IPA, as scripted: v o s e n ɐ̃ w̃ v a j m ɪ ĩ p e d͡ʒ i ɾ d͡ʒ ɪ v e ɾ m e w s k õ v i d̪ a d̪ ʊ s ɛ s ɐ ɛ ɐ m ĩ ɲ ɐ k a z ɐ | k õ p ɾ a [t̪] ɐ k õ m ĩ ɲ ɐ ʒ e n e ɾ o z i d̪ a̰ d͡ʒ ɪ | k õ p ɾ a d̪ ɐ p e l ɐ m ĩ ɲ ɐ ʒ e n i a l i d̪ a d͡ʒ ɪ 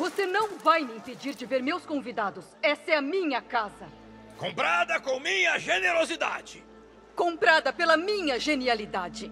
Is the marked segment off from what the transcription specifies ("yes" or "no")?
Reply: yes